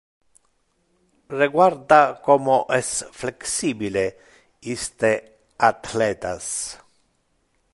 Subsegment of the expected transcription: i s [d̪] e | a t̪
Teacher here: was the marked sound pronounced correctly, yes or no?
no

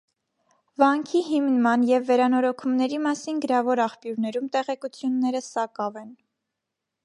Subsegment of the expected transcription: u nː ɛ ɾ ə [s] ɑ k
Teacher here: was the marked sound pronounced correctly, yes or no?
yes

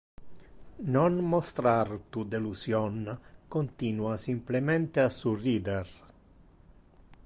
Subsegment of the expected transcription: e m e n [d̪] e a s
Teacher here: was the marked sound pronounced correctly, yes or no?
no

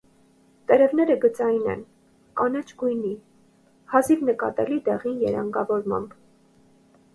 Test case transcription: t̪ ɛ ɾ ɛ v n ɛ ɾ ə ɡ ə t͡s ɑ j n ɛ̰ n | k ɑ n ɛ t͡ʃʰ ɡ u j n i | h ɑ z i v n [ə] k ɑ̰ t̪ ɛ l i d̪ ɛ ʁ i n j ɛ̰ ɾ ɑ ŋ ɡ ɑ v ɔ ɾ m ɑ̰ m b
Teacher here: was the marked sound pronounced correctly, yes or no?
yes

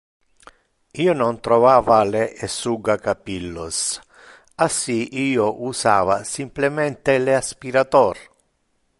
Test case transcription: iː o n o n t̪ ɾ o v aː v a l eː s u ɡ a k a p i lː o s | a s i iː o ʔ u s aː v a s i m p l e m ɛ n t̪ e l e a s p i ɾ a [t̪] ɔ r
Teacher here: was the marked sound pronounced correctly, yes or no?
yes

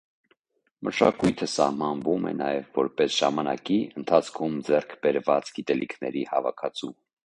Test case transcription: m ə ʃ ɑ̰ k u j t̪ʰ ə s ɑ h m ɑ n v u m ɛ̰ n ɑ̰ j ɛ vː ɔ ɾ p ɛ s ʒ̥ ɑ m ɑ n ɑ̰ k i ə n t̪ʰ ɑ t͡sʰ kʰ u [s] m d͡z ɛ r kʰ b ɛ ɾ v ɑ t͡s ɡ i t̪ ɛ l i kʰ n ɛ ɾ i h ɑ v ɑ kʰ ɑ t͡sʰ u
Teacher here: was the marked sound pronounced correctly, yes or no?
no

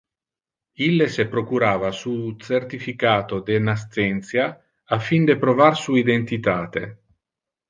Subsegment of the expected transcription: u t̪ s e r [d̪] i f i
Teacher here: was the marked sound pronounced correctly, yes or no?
no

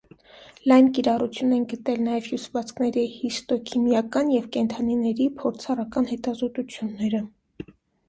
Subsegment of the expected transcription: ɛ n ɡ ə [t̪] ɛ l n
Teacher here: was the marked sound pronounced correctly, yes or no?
yes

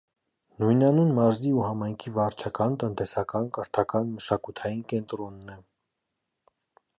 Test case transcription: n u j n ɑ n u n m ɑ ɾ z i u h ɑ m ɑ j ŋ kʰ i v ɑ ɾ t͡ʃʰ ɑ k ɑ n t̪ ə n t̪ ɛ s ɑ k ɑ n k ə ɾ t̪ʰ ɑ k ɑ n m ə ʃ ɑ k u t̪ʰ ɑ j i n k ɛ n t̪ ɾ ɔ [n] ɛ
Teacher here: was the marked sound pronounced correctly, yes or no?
no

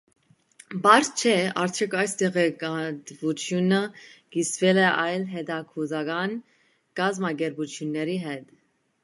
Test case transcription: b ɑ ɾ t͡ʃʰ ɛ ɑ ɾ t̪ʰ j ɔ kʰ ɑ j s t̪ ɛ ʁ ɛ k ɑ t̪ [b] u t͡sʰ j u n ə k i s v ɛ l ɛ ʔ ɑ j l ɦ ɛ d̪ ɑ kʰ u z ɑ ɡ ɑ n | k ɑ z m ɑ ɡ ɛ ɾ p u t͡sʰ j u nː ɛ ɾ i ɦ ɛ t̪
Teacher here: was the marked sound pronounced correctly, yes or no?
no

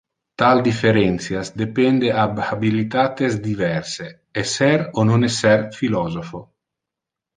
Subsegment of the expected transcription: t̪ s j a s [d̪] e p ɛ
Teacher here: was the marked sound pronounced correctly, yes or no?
yes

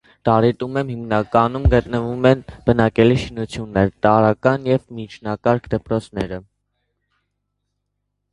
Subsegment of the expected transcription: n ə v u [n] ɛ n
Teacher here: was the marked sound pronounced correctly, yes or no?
no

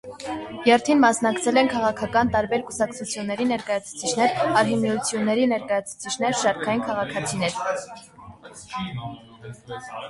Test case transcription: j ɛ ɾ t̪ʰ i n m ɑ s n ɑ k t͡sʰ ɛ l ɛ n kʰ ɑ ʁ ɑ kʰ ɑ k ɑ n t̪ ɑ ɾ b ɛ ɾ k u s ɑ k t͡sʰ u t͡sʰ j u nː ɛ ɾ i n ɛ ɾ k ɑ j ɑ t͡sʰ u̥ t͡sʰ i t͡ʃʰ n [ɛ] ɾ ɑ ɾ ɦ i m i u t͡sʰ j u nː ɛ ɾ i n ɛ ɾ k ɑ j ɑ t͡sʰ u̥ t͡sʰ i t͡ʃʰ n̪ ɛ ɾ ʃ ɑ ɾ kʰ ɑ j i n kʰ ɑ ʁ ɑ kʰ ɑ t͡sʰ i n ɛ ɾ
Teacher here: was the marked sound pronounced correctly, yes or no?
yes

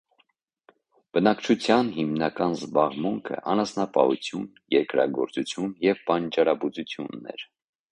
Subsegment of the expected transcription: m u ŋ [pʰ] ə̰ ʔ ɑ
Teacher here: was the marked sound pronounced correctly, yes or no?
no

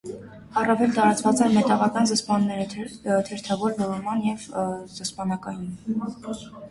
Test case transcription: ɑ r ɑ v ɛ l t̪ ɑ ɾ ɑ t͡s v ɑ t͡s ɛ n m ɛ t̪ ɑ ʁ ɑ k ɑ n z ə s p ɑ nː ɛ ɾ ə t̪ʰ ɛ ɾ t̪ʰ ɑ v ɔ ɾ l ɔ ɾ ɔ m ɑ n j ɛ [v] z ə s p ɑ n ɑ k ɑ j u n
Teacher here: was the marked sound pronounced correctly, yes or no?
yes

